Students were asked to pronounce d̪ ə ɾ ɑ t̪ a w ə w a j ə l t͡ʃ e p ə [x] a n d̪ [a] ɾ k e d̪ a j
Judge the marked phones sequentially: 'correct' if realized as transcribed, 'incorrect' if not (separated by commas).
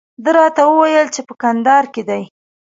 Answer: incorrect, incorrect